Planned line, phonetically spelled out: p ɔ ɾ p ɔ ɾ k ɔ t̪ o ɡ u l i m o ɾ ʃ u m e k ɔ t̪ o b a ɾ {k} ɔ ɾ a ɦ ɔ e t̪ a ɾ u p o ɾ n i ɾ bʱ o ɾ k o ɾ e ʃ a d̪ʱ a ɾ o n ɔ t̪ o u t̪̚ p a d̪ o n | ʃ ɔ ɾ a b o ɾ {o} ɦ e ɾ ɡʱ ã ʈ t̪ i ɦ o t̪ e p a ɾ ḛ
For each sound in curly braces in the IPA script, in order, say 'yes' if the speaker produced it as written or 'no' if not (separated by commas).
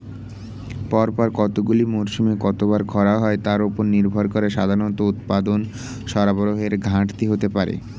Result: no, yes